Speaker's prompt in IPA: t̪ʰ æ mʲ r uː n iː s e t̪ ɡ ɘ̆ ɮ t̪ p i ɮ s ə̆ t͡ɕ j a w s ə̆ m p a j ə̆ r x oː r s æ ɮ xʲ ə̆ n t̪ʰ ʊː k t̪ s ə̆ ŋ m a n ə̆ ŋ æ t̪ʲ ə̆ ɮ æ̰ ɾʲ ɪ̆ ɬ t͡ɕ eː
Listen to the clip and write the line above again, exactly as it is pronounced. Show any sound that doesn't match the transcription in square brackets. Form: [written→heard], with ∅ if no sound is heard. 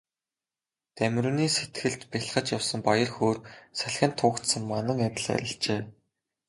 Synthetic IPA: [t̪ʰ→t̪] æ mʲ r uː n iː s e t̪ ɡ ɘ̆ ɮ t̪ p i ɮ [s→χ] ə̆ t͡ɕ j a w s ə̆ m p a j ə̆ r x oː r s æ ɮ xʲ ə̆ n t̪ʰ ʊː k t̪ s ə̆ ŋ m a n ə̆ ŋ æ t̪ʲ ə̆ ɮ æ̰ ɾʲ ɪ̆ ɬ t͡ɕ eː